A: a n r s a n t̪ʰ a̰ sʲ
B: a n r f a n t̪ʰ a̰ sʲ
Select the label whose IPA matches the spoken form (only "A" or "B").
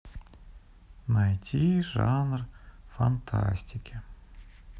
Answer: B